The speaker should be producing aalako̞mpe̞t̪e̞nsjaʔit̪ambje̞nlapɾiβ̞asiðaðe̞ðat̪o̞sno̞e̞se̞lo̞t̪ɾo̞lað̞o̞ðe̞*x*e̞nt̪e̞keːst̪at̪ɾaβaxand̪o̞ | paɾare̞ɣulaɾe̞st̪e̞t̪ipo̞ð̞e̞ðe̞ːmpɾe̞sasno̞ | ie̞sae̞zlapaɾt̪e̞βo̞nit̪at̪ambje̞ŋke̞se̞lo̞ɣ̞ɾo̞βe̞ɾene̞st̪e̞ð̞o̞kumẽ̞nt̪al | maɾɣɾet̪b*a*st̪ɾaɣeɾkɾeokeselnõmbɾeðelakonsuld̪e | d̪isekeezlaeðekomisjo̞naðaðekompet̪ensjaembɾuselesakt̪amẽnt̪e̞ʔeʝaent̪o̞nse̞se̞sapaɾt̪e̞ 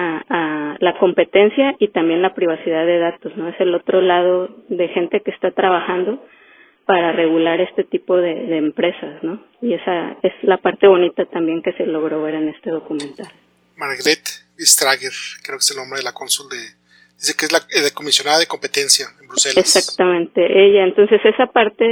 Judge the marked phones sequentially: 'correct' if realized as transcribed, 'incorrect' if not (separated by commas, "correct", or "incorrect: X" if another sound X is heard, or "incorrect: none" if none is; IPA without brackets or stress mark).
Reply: correct, incorrect: i